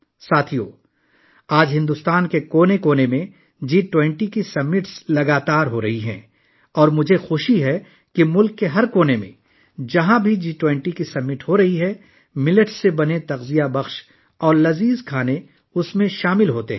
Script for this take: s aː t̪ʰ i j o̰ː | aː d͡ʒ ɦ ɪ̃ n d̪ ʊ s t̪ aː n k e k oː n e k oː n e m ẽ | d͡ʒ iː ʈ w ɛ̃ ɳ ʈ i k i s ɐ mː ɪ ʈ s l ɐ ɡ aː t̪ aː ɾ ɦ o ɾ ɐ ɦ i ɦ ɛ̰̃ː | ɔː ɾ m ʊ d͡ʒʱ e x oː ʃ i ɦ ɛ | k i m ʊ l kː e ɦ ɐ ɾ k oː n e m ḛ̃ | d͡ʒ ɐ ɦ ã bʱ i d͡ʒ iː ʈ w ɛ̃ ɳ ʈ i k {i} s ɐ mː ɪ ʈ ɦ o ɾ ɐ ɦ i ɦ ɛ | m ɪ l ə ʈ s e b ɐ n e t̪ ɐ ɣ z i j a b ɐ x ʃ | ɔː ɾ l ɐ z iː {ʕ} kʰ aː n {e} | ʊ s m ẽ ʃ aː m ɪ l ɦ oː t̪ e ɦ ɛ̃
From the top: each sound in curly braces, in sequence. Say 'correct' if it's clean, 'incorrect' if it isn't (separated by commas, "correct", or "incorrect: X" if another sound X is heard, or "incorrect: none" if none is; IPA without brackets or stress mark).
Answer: correct, incorrect: z, correct